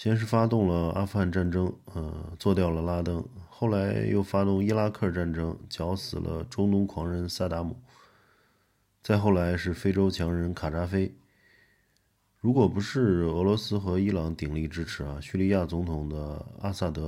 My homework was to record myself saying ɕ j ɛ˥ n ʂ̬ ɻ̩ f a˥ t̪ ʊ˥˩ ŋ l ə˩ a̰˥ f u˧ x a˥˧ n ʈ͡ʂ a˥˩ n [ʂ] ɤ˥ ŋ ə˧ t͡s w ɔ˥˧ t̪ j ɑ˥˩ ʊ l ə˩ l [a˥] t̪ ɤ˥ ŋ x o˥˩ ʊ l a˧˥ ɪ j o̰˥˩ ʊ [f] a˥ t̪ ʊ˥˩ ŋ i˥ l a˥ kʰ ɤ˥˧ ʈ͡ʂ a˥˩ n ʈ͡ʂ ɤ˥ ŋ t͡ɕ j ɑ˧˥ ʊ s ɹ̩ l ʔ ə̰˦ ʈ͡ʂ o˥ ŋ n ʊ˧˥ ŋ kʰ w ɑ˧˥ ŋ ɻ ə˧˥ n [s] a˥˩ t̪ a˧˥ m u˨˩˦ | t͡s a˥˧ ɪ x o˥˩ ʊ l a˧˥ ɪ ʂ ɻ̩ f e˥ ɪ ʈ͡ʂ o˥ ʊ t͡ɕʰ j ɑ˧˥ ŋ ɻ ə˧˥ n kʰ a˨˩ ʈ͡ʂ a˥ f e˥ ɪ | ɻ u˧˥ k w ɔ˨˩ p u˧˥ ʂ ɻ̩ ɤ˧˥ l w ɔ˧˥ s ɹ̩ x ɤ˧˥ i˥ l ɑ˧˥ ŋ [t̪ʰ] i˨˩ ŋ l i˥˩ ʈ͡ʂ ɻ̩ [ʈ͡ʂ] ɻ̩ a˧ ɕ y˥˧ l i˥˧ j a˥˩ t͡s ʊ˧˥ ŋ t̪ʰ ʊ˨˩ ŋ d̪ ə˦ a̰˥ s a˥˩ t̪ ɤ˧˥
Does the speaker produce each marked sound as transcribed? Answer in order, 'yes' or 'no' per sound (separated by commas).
no, yes, yes, yes, no, no